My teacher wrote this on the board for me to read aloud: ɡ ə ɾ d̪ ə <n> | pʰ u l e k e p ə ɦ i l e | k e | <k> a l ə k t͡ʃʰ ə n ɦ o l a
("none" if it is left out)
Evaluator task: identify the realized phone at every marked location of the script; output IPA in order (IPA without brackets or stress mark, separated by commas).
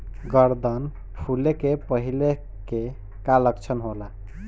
n, k